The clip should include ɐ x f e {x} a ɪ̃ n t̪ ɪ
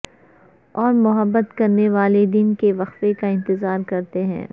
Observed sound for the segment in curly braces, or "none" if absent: k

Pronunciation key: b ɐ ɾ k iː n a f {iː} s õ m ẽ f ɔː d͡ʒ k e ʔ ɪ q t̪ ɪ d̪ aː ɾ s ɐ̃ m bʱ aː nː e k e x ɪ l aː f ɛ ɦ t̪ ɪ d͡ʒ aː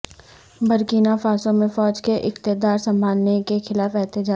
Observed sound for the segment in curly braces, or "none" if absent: aː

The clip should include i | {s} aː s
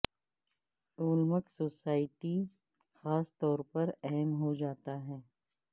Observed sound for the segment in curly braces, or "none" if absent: x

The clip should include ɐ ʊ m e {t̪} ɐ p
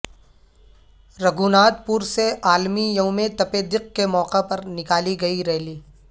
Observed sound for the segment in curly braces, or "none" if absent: t̪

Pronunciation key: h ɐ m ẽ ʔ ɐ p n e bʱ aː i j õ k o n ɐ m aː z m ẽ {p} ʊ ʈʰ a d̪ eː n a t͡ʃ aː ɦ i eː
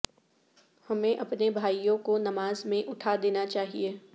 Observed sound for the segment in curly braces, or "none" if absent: ʔ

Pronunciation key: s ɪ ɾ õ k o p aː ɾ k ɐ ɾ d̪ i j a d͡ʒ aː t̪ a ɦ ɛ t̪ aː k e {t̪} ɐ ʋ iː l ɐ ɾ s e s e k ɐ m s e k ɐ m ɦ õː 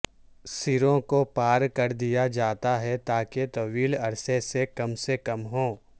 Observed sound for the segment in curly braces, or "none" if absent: t̪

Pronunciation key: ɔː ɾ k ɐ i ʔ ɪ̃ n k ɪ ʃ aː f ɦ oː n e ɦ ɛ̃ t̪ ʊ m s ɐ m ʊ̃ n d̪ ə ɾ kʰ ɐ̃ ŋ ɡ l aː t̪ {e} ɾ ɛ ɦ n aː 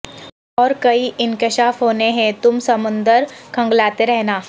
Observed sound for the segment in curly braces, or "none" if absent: e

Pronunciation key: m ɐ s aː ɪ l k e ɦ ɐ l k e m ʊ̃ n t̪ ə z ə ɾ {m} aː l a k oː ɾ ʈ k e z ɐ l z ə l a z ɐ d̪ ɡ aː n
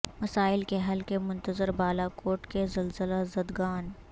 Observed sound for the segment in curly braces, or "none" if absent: b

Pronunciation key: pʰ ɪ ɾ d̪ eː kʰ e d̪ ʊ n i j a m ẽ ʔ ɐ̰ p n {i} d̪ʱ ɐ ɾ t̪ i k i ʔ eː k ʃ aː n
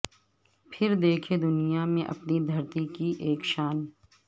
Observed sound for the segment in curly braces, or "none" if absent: i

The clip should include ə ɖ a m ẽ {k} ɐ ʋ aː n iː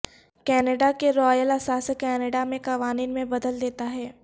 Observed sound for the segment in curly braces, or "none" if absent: k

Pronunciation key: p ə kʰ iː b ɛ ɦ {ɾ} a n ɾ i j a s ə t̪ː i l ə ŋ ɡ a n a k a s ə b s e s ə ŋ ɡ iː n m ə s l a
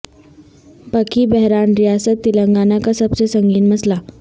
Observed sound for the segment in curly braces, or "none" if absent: ɾ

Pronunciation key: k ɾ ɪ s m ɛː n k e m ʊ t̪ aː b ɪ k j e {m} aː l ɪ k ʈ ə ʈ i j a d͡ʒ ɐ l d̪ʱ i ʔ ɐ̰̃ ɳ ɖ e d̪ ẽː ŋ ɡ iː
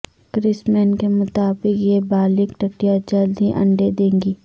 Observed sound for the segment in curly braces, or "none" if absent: b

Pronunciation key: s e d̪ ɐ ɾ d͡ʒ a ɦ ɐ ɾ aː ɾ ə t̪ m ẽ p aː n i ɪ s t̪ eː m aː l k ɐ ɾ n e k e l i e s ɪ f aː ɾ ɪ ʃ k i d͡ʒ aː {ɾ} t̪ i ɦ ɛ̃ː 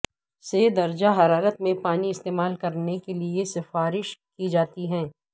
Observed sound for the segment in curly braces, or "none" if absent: none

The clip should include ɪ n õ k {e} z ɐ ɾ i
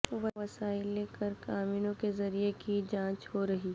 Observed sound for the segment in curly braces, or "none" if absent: e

